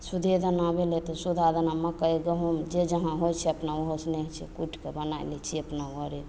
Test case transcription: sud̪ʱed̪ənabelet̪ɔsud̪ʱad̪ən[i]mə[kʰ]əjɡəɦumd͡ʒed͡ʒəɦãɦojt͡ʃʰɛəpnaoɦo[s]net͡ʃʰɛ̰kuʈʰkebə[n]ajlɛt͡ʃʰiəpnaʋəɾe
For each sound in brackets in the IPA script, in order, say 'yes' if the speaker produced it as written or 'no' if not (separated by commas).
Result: no, no, yes, yes